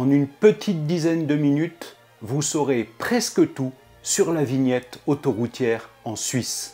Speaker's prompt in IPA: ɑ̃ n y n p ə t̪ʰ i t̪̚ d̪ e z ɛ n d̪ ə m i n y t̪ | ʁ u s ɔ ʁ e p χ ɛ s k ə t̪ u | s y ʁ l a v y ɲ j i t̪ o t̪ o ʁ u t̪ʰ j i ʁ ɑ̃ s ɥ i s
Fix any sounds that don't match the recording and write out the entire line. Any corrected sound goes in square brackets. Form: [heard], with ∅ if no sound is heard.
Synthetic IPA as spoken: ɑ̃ n y n p ə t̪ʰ i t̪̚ d̪ [i] z ɛ n d̪ ə m i n y t̪ | [v] u s ɔ ʁ e p χ ɛ s k ə t̪ u | s y ʁ l a v [i] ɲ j [ɛ] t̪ o t̪ o ʁ u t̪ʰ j [ɛ] ʁ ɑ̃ s ɥ i s